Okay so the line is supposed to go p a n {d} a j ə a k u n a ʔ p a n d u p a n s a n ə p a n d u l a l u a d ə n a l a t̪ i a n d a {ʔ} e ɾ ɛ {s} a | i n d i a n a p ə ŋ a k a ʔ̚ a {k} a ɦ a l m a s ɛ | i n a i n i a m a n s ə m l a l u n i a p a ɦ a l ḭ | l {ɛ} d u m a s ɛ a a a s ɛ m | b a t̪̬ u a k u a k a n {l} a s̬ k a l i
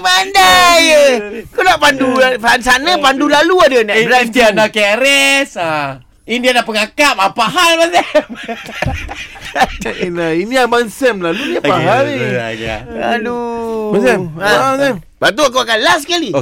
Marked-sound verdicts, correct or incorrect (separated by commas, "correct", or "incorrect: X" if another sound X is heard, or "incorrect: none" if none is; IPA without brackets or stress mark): correct, incorrect: k, correct, incorrect: p, incorrect: a, correct